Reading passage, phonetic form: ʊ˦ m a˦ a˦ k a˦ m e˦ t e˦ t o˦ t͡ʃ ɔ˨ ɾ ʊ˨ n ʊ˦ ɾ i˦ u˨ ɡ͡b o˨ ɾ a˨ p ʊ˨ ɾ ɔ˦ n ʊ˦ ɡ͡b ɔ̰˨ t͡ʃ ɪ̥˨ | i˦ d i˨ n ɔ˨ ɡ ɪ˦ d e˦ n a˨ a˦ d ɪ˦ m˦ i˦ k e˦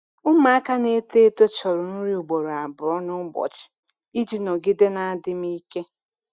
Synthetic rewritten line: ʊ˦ m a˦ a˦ k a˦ n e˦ t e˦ t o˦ t͡ʃ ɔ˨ ɾ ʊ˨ n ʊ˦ ɾ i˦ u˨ ɡ͡b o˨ ɾ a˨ b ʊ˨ ɾ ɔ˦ n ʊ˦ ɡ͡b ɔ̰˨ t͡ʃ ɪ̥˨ | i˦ d͡ʒ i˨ n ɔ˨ ɡ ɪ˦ d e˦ n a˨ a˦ d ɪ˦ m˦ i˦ k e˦